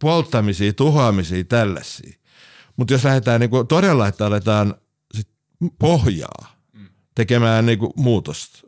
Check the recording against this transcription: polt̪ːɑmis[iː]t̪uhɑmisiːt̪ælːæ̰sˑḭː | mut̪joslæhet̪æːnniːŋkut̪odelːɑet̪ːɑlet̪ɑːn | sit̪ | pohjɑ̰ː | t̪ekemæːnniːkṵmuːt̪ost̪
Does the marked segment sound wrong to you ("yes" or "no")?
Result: no